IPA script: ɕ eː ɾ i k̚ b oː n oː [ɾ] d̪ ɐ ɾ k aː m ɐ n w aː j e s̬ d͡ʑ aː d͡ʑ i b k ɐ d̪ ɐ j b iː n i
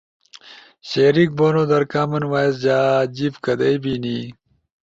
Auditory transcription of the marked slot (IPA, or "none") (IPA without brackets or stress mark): none